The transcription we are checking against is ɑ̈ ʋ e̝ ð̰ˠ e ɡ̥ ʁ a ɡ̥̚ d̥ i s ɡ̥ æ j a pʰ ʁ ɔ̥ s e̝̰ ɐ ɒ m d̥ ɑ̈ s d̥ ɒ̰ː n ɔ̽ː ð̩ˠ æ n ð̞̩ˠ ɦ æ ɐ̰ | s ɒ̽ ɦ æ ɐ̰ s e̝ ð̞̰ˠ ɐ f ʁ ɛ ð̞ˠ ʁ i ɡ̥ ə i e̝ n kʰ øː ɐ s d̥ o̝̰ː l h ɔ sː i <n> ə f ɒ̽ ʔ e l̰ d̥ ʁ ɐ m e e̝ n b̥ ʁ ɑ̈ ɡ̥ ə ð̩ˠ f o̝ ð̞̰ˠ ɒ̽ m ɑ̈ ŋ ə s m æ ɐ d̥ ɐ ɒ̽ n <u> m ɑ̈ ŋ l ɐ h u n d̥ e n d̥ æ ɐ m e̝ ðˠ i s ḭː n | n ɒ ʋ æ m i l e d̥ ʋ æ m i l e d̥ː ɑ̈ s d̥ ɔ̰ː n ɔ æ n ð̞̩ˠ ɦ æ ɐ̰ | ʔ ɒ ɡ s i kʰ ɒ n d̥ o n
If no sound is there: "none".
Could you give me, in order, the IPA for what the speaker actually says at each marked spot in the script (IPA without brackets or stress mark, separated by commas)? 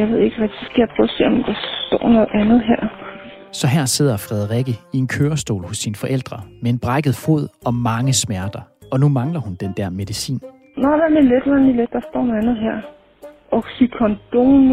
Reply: n, u